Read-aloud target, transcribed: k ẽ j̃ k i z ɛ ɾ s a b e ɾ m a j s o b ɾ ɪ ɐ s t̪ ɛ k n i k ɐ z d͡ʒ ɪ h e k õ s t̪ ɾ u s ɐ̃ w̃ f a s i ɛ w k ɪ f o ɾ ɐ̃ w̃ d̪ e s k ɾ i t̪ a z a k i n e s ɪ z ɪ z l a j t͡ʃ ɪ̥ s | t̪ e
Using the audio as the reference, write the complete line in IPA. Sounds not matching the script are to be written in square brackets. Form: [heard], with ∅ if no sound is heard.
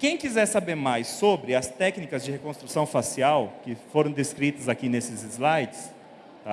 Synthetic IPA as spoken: k ẽ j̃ k i z ɛ ɾ s a b e ɾ m a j s o b ɾ ɪ ɐ s t̪ ɛ k n i k ɐ z d͡ʒ ɪ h e k õ s t̪ ɾ u s ɐ̃ w̃ f a s i [a] w k ɪ f o ɾ ɐ̃ w̃ d̪ e s k ɾ i t̪ [ɐ] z a k i n e s ɪ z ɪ z l a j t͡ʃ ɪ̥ s | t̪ [a]